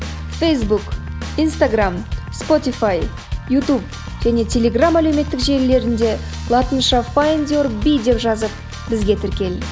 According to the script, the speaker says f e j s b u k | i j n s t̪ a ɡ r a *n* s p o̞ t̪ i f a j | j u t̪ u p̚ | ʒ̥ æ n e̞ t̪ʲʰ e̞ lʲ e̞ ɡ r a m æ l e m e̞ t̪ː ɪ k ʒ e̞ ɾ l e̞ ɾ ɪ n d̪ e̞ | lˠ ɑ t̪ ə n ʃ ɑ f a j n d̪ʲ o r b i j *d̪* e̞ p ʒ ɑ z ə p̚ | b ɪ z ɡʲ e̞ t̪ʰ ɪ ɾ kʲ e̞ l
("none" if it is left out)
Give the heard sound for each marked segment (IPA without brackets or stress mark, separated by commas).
m, d̪